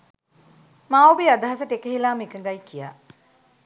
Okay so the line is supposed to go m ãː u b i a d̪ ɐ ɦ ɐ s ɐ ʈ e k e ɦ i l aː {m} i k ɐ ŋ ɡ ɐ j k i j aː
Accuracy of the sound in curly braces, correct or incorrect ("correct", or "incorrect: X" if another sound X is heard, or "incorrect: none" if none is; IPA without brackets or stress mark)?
correct